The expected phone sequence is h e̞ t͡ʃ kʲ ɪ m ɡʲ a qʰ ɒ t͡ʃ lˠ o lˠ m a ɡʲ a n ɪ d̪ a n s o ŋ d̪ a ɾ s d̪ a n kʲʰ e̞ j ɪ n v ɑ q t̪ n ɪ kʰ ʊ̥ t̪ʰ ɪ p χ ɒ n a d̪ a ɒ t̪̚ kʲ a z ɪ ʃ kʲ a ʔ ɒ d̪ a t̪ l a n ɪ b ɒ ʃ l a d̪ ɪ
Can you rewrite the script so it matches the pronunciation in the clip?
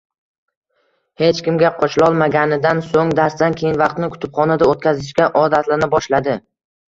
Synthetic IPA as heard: h e̞ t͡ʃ kʲ ɪ m ɡʲ a qʰ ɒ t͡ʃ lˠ ɒ lˠ m a ɡʲ a n ɪ d̪ a n s o ŋ d̪ a ɾ s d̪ a n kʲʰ e̞ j ɪ n v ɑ q t̪ n ɪ kʰ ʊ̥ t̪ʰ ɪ p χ ɒ n a d̪ a o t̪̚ kʲ a z ɪ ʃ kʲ a ʔ ɒ d̪ a t̪ l a n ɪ b ɒ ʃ l a d̪ ɪ